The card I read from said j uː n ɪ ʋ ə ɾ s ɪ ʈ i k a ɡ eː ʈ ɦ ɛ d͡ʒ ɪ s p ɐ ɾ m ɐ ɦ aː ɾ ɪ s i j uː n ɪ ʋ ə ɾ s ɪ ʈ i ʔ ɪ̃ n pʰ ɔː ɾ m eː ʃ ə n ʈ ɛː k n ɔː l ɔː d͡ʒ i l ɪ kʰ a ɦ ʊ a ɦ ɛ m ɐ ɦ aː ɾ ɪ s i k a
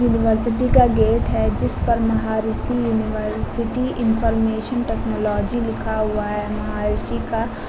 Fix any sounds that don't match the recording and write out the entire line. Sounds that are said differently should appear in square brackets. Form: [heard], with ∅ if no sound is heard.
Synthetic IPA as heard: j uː n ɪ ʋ ə ɾ s ɪ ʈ i k a ɡ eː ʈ ɦ ɛ d͡ʒ ɪ s p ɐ ɾ m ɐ ɦ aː ɾ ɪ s i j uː n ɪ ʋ ə ɾ s ɪ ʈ i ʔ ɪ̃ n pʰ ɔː ɾ m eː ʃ ə n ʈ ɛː k n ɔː l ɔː d͡ʒ i l ɪ kʰ a ɦ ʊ a ɦ ɛ m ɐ ɦ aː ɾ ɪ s i k a